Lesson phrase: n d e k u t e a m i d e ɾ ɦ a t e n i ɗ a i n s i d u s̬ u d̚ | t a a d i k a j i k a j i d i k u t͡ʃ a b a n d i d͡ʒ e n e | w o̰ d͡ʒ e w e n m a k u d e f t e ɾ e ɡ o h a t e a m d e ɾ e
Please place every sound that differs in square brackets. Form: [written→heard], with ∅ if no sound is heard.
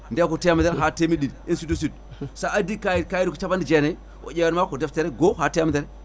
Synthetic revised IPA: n d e k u t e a m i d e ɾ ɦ a t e [n→m] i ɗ [a→i] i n s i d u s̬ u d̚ | [t→s] a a d i k a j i k a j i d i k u t͡ʃ a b a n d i d͡ʒ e n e | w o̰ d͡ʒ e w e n m a k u d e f t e ɾ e ɡ o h a t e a m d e ɾ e